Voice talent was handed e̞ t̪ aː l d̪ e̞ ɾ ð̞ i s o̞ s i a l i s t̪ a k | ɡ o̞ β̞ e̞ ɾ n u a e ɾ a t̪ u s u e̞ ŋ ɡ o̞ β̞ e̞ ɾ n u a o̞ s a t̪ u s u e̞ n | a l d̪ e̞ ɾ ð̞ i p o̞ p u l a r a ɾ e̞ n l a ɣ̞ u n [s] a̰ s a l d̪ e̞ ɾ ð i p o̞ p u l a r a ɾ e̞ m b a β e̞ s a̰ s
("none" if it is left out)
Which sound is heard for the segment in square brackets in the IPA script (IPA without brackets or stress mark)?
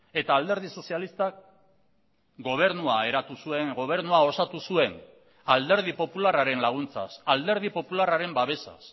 t͡s